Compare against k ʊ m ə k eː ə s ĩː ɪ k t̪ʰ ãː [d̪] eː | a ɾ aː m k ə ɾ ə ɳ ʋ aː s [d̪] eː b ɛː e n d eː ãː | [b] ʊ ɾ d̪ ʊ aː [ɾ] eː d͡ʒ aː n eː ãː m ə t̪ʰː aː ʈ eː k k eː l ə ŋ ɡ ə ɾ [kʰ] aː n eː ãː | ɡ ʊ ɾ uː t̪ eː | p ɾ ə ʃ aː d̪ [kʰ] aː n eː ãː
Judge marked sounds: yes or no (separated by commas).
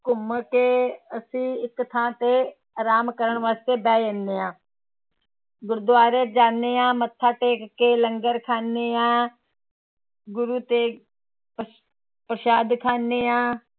no, no, no, yes, yes, yes